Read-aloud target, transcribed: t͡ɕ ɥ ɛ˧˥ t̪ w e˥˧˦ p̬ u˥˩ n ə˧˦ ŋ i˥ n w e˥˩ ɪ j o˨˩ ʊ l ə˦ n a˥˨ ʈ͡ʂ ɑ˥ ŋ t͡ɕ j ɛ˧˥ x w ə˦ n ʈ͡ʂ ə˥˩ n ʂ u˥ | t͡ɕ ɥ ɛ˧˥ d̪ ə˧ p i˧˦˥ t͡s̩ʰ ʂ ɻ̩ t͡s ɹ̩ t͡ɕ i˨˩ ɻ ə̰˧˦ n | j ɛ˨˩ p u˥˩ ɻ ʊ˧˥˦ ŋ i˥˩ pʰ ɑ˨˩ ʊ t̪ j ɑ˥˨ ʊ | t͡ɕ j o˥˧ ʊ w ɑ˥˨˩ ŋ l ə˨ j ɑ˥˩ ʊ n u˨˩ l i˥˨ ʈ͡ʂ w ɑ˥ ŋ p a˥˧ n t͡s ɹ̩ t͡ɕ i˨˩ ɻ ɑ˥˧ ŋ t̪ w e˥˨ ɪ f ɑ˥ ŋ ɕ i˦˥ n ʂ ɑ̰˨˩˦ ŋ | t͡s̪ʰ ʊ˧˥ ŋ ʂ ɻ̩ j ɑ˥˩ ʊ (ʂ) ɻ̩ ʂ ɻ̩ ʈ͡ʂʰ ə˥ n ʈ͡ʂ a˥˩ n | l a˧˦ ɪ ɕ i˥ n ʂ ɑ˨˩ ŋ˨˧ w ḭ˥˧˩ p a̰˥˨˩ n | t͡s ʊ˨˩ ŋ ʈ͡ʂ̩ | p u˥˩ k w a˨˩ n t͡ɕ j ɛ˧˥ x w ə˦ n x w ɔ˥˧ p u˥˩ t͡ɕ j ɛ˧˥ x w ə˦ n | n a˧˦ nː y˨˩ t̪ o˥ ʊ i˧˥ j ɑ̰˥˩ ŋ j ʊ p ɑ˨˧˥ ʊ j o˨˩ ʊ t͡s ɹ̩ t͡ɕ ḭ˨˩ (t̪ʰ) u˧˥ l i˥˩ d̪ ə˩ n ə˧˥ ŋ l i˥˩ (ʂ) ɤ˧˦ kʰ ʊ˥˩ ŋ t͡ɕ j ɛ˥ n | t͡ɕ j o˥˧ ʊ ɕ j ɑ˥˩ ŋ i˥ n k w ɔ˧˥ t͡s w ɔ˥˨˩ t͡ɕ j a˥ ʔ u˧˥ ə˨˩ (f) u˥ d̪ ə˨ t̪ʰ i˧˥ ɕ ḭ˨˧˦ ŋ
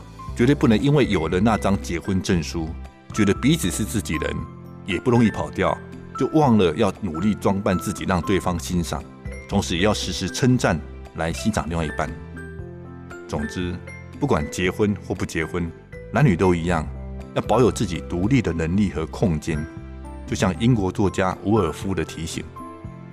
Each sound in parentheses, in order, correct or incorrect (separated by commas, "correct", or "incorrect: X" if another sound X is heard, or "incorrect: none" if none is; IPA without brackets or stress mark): correct, incorrect: t̪, incorrect: x, correct